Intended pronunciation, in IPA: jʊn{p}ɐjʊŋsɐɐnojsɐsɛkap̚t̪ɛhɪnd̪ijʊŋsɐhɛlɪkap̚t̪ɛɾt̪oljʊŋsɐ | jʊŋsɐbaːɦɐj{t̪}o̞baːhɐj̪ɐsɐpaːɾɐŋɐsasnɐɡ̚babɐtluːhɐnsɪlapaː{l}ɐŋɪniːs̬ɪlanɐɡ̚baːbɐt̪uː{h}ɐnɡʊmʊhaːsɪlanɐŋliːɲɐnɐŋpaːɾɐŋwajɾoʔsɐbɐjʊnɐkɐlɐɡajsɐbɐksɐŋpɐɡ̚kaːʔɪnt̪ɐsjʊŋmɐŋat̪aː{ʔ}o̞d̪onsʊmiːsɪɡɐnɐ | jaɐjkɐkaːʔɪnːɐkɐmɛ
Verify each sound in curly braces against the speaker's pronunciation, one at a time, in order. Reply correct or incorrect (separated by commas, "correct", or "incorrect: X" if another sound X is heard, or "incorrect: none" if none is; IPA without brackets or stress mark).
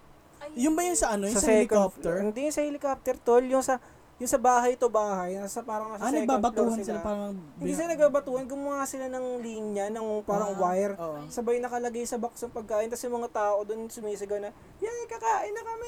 incorrect: b, correct, incorrect: ɾ, correct, correct